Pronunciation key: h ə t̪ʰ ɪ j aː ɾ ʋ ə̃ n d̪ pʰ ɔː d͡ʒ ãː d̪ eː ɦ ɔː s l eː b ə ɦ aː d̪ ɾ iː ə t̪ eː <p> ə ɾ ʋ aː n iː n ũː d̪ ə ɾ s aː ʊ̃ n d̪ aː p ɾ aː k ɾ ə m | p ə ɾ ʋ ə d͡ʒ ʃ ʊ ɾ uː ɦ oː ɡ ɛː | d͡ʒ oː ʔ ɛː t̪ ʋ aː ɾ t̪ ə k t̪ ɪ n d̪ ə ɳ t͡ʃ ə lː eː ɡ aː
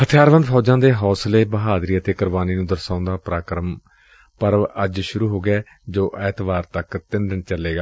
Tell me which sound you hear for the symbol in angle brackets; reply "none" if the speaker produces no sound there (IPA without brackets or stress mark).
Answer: k